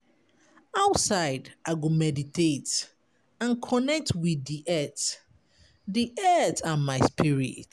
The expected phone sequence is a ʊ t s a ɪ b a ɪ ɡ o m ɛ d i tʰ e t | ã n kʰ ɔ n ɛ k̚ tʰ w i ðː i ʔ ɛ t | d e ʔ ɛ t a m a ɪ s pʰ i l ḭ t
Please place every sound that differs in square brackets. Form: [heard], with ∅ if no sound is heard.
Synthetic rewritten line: a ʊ t s a ɪ [d] a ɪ ɡ o m ɛ d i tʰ e t | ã n kʰ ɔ n ɛ k̚ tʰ w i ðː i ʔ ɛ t | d [i] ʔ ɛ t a m a ɪ s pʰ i [ɹ] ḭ t

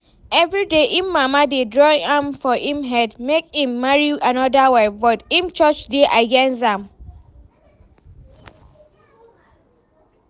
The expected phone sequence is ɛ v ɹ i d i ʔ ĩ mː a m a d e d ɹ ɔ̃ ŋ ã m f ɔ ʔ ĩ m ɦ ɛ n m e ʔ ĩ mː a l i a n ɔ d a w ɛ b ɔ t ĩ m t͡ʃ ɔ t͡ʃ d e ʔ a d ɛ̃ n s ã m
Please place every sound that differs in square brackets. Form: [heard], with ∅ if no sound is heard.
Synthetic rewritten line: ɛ v ɹ i d [e] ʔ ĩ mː a m a d e d ɹ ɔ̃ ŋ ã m f ɔ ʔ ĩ m ɦ ɛ [d] m e [k] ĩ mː a [ɹ] i a n ɔ d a w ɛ b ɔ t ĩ m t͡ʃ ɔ t͡ʃ d e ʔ a [ɡ] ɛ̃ n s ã m

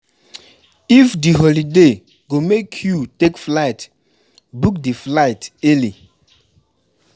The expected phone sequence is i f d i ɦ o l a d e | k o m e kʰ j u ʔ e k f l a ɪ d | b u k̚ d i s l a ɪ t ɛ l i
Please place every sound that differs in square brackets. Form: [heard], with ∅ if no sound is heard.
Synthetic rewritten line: i f d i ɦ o l [i] d e | [ɡ] o m e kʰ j u [t] e k f l a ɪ [t] | b u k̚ d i [f] l a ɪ t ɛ l i

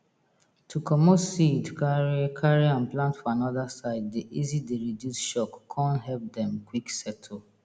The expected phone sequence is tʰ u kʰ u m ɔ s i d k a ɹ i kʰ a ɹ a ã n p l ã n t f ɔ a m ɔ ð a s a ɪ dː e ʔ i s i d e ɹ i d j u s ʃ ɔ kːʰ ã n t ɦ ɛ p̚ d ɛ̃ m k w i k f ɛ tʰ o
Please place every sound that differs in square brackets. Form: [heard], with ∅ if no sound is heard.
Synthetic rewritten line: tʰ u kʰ [ɔ] m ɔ s i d k a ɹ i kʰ a ɹ [i] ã n p l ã n t f ɔ a [n] ɔ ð a s a ɪ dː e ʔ i [z] i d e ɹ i d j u s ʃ ɔ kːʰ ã n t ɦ ɛ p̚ d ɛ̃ m k w i k [s] ɛ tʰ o

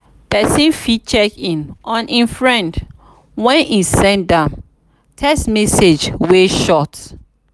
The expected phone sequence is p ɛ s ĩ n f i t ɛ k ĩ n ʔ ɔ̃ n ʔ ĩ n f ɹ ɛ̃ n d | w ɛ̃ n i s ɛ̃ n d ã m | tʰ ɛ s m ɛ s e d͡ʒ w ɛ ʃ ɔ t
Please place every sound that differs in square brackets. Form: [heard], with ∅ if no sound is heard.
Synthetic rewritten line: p ɛ s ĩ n f i [t͡ʃ] ɛ k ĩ n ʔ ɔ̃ n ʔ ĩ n f ɹ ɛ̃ n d | w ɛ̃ n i s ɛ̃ n d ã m | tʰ ɛ s m ɛ s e d͡ʒ w [e] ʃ ɔ t

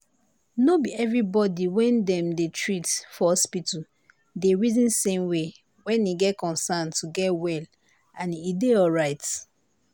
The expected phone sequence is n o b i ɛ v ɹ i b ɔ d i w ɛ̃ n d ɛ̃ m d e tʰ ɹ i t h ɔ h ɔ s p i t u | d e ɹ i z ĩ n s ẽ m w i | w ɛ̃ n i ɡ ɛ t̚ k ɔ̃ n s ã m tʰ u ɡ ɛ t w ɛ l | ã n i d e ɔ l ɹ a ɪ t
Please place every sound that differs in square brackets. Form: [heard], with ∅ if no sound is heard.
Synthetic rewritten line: n o b i ɛ v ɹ i b ɔ d i w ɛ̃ n d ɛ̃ m d e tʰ ɹ i t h ɔ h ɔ s p i t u | d e ɹ i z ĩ n s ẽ m w [e] | w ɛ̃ n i ɡ ɛ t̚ k ɔ̃ n s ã [n] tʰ u ɡ ɛ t w ɛ l | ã n i d e ɔ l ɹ a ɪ t

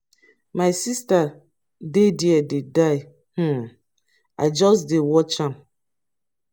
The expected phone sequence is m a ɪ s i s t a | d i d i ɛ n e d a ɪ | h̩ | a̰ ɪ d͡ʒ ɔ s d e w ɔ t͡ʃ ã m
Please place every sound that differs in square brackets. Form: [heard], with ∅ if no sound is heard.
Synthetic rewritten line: m a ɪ s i s t a | d [e] d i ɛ [d] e d a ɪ | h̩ | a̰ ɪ d͡ʒ ɔ s d e w ɔ t͡ʃ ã m

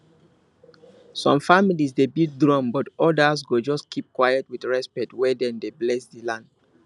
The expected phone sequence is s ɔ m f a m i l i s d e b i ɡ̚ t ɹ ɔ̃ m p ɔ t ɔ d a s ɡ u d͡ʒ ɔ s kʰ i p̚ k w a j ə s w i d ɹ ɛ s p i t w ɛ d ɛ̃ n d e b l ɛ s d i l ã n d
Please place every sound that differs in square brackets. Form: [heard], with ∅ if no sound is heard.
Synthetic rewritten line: s [ɔ̃] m f a m i l i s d e b i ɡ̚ [d] ɹ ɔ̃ m [b] ɔ t ɔ d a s ɡ [o] d͡ʒ ɔ s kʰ i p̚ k w a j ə [t] w i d ɹ ɛ s p [ɛ] t w ɛ d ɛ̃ n d e b l ɛ s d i l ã n d

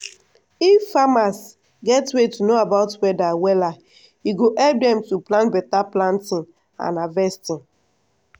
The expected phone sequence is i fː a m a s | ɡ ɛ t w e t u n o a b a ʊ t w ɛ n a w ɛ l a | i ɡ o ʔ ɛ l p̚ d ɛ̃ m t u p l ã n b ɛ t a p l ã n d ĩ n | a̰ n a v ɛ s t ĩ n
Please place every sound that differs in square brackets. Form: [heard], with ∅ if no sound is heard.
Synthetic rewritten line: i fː a m a s | ɡ ɛ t w e t u n o a b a ʊ t w ɛ [d] a w ɛ l a | i ɡ o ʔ ɛ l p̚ d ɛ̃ m t u p l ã n b ɛ t a p l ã n [t] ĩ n | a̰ n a v ɛ s t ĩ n

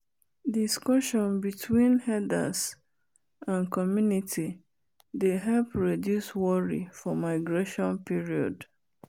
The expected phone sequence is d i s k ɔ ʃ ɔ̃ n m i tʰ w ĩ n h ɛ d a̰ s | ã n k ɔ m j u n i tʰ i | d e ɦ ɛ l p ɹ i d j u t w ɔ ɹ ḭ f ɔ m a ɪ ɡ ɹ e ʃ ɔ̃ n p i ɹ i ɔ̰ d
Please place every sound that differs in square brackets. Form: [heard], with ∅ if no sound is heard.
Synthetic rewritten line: d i s k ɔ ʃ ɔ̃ n [b] i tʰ w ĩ n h ɛ d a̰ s | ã n k ɔ m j u n i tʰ i | d e ɦ ɛ l p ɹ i d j u [s] w ɔ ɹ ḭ f ɔ m a ɪ ɡ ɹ e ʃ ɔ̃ n p i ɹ i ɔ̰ d

